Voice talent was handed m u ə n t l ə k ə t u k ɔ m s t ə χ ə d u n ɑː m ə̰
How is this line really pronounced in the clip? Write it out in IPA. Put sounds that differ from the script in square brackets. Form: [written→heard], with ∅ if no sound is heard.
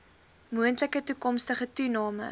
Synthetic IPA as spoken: m u ə n t l ə k ə t u k ɔ m s t ə χ ə [d→t] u n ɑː m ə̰